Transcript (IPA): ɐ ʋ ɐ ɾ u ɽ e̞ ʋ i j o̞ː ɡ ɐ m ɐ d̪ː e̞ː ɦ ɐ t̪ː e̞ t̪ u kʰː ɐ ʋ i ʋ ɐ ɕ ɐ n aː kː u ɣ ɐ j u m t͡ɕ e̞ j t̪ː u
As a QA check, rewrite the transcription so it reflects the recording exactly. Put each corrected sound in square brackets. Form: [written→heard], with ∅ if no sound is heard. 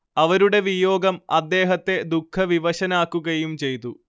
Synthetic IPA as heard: ɐ ʋ ɐ ɾ u ɽ e̞ ʋ i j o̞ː ɡ ɐ m ɐ d̪ː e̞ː ɦ ɐ t̪ː e̞ [t̪→d̪] u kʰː ɐ ʋ i ʋ ɐ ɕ ɐ n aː kː u ɣ ɐ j u m t͡ɕ e̞ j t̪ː u